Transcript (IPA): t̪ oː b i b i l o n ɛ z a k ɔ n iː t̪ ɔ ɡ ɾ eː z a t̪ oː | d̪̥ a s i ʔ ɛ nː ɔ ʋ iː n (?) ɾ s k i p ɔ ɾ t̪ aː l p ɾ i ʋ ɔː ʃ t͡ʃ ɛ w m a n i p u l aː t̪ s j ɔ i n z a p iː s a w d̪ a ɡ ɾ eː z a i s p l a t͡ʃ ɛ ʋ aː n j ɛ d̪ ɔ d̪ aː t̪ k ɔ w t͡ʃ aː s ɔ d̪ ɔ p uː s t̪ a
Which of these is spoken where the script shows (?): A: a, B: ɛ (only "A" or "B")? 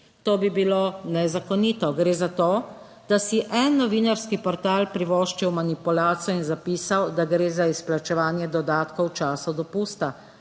A